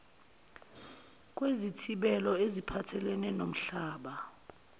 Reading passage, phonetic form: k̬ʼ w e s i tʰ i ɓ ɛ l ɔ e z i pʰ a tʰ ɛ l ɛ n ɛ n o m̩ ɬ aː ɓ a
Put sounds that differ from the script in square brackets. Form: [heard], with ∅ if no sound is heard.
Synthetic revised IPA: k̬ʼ w e [z] i tʰ i ɓ ɛ l ɔ e z i pʰ a tʰ ɛ l ɛ n ɛ n o m̩ ɬ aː ɓ a